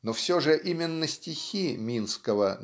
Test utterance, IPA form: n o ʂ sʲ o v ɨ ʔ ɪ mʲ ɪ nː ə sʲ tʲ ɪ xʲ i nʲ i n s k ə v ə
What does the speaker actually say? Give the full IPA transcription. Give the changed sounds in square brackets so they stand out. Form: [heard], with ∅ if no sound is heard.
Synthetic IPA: n o [f] sʲ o [ʐ] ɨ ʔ [i] mʲ ɪ nː ə sʲ tʲ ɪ xʲ i [mʲ] i n s k ə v ə

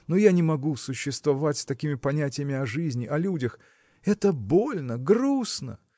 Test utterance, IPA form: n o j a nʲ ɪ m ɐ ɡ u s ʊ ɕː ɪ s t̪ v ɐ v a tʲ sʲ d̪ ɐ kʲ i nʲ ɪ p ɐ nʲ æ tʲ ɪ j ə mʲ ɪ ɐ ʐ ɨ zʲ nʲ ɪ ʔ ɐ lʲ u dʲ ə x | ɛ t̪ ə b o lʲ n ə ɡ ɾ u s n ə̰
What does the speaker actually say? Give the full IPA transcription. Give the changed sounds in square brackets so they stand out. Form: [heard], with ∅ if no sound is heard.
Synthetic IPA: n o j a nʲ ɪ m ɐ ɡ u s ʊ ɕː ɪ s t̪ v ɐ v a tʲ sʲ [t̪] ɐ kʲ i [mʲ] ɪ p ɐ nʲ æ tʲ ɪ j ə mʲ ɪ ɐ ʐ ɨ zʲ nʲ ɪ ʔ ɐ lʲ u dʲ ə x | ɛ t̪ ə b o lʲ n ə ɡ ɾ u s n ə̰

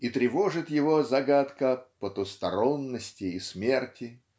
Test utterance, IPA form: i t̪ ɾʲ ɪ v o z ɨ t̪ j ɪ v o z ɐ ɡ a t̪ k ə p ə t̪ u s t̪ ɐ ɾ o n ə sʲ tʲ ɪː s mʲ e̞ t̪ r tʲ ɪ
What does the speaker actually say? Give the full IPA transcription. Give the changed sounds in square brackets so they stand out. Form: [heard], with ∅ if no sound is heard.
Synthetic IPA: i t̪ ɾʲ ɪ v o [ʐ] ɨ t̪ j ɪ v o z ɐ ɡ a t̪ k ə p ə t̪ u s t̪ ɐ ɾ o [nː] ə sʲ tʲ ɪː s mʲ e̞ [∅] r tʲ ɪ

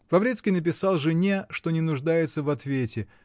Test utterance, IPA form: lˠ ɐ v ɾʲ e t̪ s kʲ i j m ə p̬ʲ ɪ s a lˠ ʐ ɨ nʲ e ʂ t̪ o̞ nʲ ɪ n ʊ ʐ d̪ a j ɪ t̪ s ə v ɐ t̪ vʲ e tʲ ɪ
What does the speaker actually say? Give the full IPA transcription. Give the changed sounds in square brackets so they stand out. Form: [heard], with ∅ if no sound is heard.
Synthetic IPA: lˠ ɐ v ɾʲ e t̪ s kʲ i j [n] ə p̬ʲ ɪ s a lˠ ʐ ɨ nʲ e ʂ t̪ o̞ nʲ ɪ n ʊ ʐ d̪ a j ɪ t̪ s ə v ɐ t̪ vʲ e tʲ ɪ

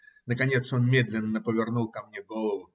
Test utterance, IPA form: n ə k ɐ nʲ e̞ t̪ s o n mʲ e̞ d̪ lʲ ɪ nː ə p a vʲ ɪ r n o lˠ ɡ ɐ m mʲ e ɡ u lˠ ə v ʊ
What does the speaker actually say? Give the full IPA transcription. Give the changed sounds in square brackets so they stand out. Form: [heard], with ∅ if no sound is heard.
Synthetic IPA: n ə k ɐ nʲ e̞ t̪ s o n mʲ e̞ d̪ lʲ ɪ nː ə p [ə] vʲ ɪ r n [u] lˠ [k] ɐ m [nʲ] e ɡ [o] lˠ ə v ʊ

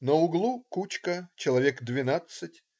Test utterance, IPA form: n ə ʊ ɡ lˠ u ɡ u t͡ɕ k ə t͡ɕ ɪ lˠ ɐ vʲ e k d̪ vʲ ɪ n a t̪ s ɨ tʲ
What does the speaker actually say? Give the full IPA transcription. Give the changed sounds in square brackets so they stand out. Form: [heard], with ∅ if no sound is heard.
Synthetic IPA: n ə ʊ ɡ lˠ u [k] u t͡ɕ k ə t͡ɕ ɪ lˠ ɐ vʲ e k d̪ vʲ ɪ n a t̪ s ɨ tʲ

